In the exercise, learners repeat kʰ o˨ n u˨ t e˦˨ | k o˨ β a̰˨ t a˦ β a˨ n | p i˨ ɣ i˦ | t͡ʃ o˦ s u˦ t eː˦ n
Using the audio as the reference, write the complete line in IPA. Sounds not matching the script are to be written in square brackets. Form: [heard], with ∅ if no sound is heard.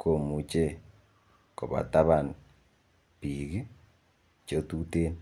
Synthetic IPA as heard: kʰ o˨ [m] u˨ [t͡ʃ] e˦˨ | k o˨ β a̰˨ t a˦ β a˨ n | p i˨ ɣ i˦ | t͡ʃ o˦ [t] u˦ t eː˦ n